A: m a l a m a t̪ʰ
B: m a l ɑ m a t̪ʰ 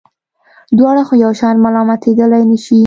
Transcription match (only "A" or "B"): B